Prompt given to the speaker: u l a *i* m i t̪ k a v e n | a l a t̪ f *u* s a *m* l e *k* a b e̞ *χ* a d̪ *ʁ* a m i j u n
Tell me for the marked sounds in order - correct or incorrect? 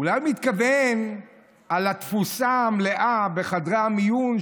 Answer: incorrect: j, correct, correct, incorrect: ʔ, correct, correct

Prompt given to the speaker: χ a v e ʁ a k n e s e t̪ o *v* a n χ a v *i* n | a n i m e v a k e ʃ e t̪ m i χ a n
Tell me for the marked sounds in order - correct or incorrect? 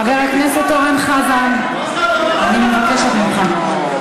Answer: incorrect: ʁ, incorrect: a

